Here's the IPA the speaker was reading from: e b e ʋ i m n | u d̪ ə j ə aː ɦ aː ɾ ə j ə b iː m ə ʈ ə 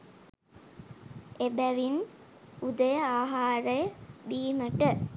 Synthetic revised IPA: e b æ ʋ i n | u d̪ ə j ə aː ɦ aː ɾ ə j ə b iː m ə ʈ ə